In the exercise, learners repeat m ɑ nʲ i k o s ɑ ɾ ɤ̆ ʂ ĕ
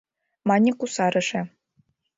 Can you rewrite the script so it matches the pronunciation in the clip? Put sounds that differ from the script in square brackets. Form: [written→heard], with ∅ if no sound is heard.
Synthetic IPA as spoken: m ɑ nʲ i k [o→u] s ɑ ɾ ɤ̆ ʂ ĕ